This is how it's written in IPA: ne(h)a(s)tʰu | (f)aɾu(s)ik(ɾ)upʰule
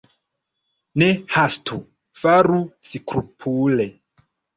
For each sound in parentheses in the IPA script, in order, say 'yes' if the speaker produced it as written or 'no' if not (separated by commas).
yes, yes, yes, yes, yes